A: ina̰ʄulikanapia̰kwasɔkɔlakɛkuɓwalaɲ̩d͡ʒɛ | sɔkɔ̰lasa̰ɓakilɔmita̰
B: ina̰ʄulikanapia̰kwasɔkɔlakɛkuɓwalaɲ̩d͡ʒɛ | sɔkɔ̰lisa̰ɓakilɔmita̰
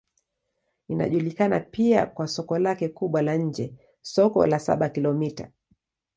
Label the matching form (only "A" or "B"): A